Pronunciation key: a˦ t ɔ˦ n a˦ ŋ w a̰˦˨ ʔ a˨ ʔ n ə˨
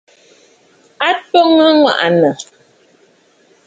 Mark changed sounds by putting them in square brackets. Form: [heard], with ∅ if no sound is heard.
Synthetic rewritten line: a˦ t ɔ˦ [ŋ] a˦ ŋ w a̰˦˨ ʔ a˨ [∅] n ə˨